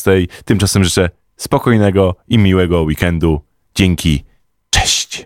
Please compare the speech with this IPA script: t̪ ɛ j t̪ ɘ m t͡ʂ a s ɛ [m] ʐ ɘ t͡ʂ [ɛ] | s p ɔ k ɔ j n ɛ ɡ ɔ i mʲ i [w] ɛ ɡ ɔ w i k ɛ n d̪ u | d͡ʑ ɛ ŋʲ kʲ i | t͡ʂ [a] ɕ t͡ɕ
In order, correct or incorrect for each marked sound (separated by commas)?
correct, correct, correct, incorrect